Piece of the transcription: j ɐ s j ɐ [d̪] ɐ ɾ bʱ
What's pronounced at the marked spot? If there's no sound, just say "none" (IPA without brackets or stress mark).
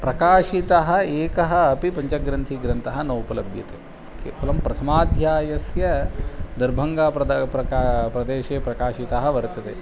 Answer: d̪